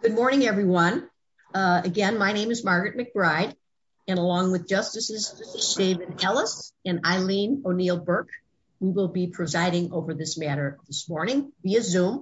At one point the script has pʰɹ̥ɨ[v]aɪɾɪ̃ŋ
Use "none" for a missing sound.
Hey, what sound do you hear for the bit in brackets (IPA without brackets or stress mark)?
z